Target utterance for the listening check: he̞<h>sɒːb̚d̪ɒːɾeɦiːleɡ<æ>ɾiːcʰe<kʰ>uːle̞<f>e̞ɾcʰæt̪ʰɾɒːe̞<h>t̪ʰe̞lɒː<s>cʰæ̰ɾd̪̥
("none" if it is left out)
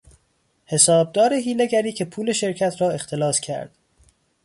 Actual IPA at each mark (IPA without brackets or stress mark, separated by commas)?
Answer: none, æ, pʰ, ʃ, x, s